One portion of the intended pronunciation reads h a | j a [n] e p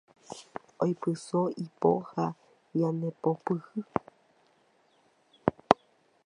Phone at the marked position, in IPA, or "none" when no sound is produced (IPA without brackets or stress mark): n